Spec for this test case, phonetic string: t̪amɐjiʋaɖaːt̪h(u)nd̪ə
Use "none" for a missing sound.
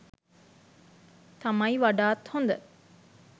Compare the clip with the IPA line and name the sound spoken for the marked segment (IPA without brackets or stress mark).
o